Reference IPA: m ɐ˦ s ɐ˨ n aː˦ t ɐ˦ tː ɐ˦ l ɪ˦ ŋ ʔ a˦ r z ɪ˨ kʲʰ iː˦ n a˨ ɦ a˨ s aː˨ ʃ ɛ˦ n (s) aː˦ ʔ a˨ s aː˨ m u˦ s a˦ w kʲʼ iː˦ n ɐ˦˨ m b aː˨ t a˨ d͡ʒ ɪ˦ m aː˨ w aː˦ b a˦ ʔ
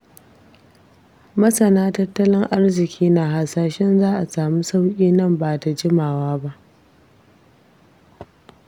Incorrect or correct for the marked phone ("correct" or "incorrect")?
incorrect